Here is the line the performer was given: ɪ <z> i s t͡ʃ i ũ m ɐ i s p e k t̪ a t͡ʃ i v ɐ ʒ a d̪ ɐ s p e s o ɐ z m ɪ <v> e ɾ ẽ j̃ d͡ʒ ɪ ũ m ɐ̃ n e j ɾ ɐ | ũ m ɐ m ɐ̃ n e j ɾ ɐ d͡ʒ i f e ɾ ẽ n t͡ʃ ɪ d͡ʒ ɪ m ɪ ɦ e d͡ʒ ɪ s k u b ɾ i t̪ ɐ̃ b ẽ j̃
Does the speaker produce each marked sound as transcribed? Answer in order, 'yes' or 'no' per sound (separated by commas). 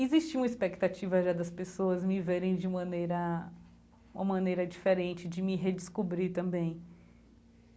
yes, yes